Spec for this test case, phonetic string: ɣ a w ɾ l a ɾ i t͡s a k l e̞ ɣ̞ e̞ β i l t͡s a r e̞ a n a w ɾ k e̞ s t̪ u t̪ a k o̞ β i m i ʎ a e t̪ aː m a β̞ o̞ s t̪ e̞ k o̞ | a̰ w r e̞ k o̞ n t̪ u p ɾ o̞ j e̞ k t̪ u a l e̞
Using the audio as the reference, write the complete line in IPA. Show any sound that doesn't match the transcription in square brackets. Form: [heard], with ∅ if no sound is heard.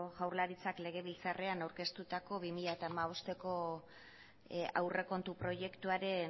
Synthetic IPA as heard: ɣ a w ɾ l a ɾ i t͡s a k l e̞ ɣ̞ e̞ β i l t͡s a r e̞ a n a w ɾ k e̞ s t̪ u t̪ a k o̞ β i m i ʎ a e t̪ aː m a β̞ o̞ s t̪ e̞ k o̞ | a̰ w r e̞ k o̞ n t̪ u p ɾ o̞ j e̞ k t̪ u a [ɾ] e̞